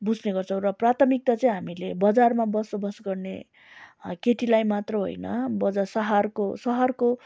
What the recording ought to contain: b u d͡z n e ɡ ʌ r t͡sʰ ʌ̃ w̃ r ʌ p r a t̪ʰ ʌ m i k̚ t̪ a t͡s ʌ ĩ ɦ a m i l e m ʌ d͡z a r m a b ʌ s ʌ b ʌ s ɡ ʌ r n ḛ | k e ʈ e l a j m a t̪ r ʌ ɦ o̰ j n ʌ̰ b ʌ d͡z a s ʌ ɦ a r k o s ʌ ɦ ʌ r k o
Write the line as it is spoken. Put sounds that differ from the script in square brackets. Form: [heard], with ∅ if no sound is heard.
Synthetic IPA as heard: b u d͡z n e ɡ ʌ r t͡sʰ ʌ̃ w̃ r ʌ p r a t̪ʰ ʌ m i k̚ t̪ a t͡s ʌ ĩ ɦ a m i l e [b] ʌ d͡z a r m a b ʌ s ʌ b ʌ s ɡ ʌ r n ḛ | k e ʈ [i] l a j m a t̪ r ʌ ɦ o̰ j n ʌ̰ b ʌ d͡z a s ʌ ɦ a r k o s ʌ ɦ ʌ r k o

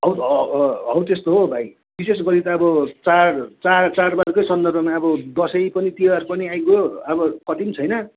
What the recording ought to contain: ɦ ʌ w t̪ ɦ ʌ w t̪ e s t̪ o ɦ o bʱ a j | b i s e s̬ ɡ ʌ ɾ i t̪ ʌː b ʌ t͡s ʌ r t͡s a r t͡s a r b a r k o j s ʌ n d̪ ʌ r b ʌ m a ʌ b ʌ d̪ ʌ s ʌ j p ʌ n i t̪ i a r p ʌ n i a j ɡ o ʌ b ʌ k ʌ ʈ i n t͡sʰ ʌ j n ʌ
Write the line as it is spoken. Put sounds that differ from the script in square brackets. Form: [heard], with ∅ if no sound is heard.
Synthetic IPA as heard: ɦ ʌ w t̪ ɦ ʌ w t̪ e s t̪ o ɦ o bʱ a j | b i s e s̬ ɡ ʌ ɾ i t̪ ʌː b ʌ t͡s [a] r t͡s a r t͡s a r b a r k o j s ʌ n d̪ ʌ r b ʌ m a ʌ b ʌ d̪ ʌ s ʌ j p ʌ n i t̪ i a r p ʌ n i a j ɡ o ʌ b ʌ k ʌ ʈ i [m] t͡sʰ ʌ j n ʌ

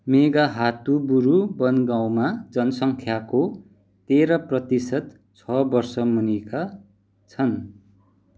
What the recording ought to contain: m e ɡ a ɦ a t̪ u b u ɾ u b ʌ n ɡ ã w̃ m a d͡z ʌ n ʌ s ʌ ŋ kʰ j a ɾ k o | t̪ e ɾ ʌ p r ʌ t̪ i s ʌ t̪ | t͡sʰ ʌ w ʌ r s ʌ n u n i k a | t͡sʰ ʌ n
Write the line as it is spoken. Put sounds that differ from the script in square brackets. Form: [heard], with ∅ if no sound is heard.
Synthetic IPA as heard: m e ɡ a ɦ a t̪ u b u ɾ u b ʌ n ɡ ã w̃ m a d͡z ʌ n ʌ s ʌ ŋ kʰ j a [∅] k o | t̪ e ɾ ʌ p r ʌ t̪ i s ʌ t̪ | t͡sʰ ʌ [b] ʌ r s ʌ [m] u n i k a | t͡sʰ ʌ n

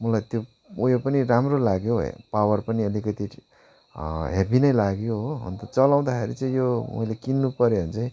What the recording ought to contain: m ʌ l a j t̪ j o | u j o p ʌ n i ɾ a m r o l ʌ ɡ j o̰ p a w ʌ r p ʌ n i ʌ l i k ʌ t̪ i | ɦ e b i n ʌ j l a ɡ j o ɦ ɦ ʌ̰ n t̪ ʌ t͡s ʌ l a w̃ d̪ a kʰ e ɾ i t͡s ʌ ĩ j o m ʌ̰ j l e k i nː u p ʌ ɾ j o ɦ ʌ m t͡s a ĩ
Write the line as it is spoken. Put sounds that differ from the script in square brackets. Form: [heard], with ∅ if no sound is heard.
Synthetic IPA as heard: m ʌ l a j t̪ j o | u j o p ʌ n i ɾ a m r o l [a] ɡ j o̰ p a w ʌ r p ʌ n i ʌ l i k ʌ t̪ i | ɦ e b i n ʌ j l a ɡ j o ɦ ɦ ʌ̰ n t̪ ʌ t͡s ʌ l a w̃ d̪ a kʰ e ɾ i t͡s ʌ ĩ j o m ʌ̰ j l e k i nː u p ʌ ɾ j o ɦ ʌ [n] t͡s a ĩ

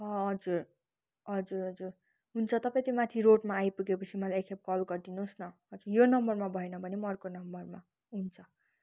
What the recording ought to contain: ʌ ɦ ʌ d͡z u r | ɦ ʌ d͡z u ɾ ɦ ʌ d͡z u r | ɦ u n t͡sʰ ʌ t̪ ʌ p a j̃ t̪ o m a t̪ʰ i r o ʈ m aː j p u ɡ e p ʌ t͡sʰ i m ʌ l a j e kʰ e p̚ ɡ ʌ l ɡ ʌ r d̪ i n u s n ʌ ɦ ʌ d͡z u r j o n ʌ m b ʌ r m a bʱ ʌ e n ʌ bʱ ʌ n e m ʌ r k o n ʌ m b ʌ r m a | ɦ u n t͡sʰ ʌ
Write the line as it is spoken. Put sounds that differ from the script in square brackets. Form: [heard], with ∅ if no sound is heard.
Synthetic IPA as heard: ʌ ɦ ʌ d͡z u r | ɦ ʌ d͡z u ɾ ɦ ʌ d͡z u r | ɦ u n t͡sʰ ʌ t̪ ʌ p a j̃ t̪ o m a t̪ʰ i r o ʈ m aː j p u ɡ e p ʌ t͡sʰ i m ʌ l a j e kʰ e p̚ [k] ʌ l ɡ ʌ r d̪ i n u s n ʌ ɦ ʌ d͡z u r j o n ʌ m b ʌ r m a bʱ ʌ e n ʌ bʱ ʌ n e m ʌ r k o n ʌ m b ʌ r m a | ɦ u n t͡sʰ ʌ

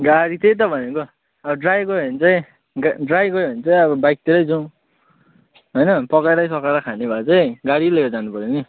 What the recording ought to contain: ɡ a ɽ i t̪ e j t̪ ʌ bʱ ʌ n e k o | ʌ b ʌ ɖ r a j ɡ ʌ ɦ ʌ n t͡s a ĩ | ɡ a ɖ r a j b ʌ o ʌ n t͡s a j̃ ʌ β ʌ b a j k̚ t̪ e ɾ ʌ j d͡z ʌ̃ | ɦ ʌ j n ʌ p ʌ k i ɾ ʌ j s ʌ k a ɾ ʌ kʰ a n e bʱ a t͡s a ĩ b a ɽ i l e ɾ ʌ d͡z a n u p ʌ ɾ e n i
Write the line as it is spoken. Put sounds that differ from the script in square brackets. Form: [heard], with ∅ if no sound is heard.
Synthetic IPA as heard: ɡ a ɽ i t̪ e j t̪ ʌ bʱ ʌ n e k o | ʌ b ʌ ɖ r a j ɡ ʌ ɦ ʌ n t͡s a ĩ | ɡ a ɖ r a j [ɡ] ʌ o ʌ n t͡s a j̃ ʌ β ʌ b a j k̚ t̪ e ɾ ʌ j d͡z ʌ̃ | ɦ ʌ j n ʌ p ʌ k [a] ɾ ʌ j s ʌ k a ɾ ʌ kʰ a n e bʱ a t͡s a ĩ [ɡ] a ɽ i l e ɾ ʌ d͡z a n u p ʌ ɾ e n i

